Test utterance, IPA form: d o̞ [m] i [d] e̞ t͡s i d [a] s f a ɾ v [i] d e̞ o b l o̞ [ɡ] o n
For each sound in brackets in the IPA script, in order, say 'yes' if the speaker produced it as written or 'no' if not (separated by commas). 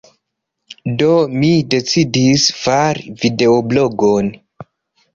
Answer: yes, yes, no, yes, yes